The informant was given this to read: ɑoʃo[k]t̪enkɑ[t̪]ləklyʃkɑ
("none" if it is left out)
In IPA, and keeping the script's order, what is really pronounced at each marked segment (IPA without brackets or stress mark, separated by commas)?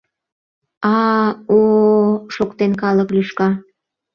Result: k, none